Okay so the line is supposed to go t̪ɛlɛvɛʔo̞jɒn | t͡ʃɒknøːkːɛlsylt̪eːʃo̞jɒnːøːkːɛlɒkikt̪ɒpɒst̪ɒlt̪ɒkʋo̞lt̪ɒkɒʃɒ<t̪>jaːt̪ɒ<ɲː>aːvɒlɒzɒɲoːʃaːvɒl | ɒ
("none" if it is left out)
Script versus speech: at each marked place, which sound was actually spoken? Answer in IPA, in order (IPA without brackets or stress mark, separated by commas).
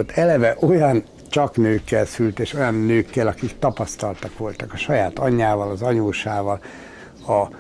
none, ɲː